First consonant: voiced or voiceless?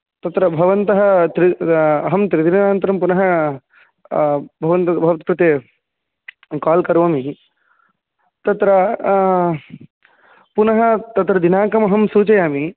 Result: voiceless